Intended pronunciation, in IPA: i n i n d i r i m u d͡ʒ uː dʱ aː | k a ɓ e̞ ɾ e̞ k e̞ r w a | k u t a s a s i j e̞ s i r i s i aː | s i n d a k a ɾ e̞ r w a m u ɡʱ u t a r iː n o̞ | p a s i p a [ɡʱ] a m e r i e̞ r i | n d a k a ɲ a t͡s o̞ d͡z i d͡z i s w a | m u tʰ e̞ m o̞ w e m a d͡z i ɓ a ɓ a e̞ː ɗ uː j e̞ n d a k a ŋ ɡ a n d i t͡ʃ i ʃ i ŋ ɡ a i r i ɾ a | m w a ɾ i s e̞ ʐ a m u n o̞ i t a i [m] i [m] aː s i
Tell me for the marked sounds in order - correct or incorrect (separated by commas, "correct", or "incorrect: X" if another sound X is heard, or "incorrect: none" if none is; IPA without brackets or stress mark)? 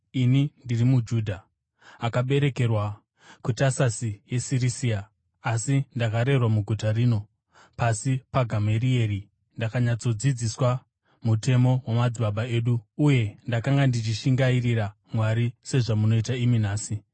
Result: correct, correct, incorrect: n